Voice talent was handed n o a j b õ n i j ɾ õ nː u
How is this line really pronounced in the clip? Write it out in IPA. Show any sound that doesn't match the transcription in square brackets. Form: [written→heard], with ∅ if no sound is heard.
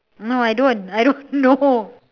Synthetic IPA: n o a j [b→d] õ n [i→a] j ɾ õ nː [u→o]